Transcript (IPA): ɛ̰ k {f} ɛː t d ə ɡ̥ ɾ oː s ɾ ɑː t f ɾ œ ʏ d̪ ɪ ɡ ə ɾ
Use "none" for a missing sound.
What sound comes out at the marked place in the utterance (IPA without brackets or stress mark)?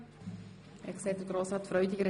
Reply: s